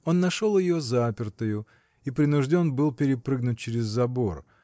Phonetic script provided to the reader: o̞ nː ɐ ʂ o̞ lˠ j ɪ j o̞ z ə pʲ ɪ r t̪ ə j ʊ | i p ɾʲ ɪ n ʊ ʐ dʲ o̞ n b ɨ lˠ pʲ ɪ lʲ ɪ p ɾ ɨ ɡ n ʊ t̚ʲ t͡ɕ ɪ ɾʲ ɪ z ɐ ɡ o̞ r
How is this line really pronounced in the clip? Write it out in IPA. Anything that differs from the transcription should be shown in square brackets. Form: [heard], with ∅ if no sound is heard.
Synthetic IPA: o̞ nː ɐ ʂ o̞ lˠ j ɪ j o̞ z [a] pʲ ɪ r t̪ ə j ʊ | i p ɾʲ ɪ n ʊ ʐ dʲ o̞ n b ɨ lˠ pʲ ɪ [ɾʲ] ɪ p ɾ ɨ ɡ n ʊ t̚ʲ t͡ɕ ɪ ɾʲ ɪ [zː] ɐ [b] o̞ r

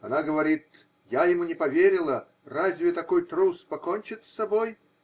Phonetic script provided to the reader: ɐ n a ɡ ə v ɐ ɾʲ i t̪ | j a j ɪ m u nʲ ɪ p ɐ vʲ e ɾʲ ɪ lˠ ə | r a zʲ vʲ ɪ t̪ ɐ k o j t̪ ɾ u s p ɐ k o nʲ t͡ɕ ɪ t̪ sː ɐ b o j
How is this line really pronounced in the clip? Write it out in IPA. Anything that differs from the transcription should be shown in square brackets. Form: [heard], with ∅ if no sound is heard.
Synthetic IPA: ɐ n a ɡ ə v ɐ ɾʲ i t̪ | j a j ɪ m u nʲ ɪ p ɐ vʲ e ɾʲ ɪ lˠ ə | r a zʲ vʲ ɪ t̪ ɐ k o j t̪ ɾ u s p ɐ k o nʲ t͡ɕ ɪ t̪ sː ɐ b o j

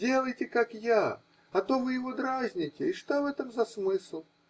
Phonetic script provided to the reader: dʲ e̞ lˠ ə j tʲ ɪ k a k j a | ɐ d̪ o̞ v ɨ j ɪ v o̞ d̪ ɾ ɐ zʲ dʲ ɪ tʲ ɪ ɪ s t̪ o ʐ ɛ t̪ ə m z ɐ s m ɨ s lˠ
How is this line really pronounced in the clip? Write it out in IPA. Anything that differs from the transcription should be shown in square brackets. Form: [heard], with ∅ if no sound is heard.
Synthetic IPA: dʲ e̞ lˠ ə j tʲ ɪ k a k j a | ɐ [t̪] o̞ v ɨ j ɪ v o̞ d̪ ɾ [a] zʲ [nʲ] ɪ tʲ ɪ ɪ [ʂ] t̪ o [v] ɛ t̪ ə m z ɐ s m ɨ s lˠ

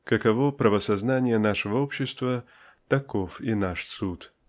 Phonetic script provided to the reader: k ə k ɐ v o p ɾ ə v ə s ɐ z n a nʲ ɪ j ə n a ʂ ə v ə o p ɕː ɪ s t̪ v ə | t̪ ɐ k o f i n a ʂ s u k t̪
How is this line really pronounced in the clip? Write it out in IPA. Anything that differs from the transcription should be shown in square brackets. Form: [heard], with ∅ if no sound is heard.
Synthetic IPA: k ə k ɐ v o p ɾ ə v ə s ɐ z n a nʲ ɪ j ə n a ʂ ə v ə o p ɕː ɪ s t̪ v ə | t̪ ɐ k o f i n a ʂ s u [∅] t̪

